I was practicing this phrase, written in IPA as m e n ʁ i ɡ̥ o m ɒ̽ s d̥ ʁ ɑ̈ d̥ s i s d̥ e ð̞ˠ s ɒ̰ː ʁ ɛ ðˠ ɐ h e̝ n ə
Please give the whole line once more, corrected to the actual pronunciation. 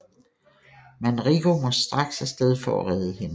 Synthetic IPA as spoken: m æ n ʁ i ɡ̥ o m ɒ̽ s d̥ ʁ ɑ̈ ɡ̥ s æ s d̥ e ð̞ˠ f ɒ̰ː ʁ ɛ ðˠ ə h e̝ n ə